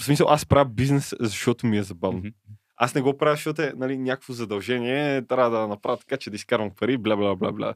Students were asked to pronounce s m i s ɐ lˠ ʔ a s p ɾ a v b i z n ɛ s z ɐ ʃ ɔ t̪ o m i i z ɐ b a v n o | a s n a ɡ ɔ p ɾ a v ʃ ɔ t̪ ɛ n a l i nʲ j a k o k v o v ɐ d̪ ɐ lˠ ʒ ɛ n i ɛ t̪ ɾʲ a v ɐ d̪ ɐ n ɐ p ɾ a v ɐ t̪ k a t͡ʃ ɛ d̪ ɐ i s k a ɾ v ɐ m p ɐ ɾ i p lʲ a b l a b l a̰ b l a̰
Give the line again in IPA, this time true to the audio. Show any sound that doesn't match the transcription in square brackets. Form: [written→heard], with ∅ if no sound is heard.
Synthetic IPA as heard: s m i s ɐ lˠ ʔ a s p ɾ a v b i z n ɛ s z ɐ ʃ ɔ t̪ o m i [i→ɛ] z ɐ b a v n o | a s n [a→ɛ] ɡ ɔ p ɾ a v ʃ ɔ t̪ ɛ n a l i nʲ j a k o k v o [v→z] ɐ d̪ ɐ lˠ ʒ ɛ n i ɛ t̪ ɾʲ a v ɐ d̪ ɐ n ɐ p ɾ a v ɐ t̪ k a t͡ʃ ɛ d̪ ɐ i s k a ɾ v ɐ m p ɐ ɾ i [p→b] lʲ a b l a b l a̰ b l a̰